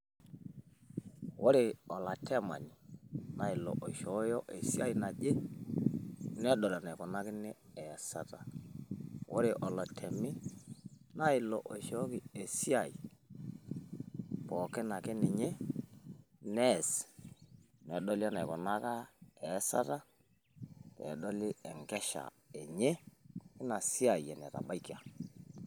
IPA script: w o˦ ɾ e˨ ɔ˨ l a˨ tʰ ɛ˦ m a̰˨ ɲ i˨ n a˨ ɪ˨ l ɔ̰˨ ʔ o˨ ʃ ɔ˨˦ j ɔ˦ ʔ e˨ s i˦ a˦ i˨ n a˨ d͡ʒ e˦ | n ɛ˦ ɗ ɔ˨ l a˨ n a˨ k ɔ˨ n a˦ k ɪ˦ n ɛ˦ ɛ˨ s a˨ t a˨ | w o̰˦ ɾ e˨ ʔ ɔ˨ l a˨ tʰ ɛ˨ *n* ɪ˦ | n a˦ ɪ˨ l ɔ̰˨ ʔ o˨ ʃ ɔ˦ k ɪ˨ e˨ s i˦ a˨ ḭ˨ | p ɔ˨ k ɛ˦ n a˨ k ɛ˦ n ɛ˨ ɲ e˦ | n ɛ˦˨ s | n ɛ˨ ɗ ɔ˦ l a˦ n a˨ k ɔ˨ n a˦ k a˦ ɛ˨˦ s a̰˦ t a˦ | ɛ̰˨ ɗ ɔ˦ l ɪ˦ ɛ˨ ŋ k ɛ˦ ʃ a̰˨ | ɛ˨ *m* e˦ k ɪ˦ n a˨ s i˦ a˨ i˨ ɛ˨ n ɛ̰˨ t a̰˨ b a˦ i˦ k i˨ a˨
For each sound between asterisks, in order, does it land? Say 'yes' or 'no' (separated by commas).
no, no